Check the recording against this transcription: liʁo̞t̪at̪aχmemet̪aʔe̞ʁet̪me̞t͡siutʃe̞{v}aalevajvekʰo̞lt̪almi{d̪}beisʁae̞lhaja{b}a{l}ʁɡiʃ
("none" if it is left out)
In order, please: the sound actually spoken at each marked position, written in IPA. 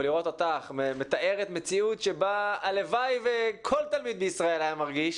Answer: b, d̪, m, none

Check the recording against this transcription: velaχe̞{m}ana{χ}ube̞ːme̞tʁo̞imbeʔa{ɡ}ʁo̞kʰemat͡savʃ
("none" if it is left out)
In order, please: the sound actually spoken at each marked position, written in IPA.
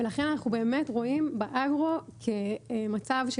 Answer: n, χ, ɡ

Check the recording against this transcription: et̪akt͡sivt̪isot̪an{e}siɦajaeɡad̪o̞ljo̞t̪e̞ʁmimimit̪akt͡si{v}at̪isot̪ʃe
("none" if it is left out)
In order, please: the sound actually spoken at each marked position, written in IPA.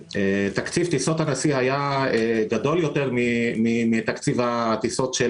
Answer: a, v

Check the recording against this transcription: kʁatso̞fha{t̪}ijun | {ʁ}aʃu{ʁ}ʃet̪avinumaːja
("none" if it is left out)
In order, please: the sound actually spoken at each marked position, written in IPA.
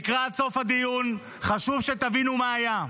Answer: d̪, χ, v

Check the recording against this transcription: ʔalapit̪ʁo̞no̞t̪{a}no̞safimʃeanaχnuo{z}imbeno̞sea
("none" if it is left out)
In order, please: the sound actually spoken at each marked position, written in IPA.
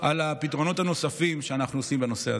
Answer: a, s

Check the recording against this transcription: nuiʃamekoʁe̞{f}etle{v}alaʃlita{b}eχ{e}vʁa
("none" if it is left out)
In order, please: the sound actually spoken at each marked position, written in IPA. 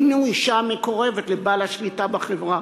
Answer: v, b, b, e

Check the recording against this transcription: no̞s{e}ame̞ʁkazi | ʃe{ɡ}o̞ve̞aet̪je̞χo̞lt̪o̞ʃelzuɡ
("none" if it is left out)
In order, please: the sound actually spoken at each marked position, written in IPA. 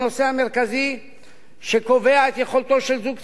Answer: e, k

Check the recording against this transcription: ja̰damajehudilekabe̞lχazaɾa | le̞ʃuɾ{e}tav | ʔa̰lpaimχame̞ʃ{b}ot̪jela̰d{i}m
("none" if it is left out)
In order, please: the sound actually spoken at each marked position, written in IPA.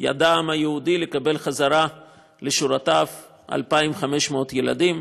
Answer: a, m, i

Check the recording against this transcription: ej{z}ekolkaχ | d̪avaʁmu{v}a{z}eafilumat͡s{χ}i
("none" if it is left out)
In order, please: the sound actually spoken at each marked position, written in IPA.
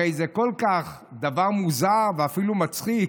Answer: z, z, v, χ

